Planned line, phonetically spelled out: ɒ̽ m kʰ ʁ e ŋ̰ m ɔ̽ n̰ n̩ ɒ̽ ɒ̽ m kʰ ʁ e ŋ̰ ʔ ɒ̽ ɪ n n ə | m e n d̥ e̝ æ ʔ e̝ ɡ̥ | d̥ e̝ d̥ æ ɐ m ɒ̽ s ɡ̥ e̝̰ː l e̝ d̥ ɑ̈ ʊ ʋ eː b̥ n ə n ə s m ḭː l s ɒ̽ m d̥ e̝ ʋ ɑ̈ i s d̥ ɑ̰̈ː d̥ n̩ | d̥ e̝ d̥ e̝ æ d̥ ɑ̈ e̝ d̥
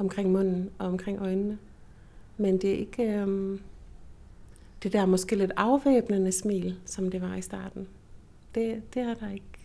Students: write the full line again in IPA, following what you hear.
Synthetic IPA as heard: ɒ̽ m kʰ ʁ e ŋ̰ m ɔ̽ n̰ n̩ ɒ̽ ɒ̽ m kʰ ʁ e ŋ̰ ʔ ɒ̽ ɪ n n ə | m e n d̥ e̝ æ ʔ e̝ ɡ̥ | d̥ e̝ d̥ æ ɐ m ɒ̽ s ɡ̥ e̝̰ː l e̝ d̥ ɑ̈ ʊ ʋ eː b̥ n ə n ə s m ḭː l s ɒ̽ m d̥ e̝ ʋ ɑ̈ i s d̥ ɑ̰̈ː d̥ n̩ | d̥ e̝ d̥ e̝ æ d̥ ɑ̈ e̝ ɡ̥